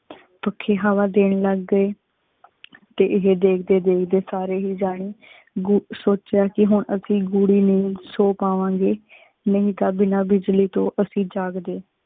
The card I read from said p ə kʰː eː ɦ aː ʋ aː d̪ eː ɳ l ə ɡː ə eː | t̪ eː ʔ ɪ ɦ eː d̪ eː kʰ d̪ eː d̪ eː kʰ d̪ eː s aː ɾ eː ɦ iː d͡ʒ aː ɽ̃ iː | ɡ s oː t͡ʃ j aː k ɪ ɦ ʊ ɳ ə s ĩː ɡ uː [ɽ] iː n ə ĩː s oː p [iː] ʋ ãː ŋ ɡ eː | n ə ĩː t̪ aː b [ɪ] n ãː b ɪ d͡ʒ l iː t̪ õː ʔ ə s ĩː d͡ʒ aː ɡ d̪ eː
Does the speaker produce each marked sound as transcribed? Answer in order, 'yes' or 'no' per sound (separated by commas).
yes, no, yes